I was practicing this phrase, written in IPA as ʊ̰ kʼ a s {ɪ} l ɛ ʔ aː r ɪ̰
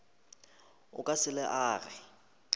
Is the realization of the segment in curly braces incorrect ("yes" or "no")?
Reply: no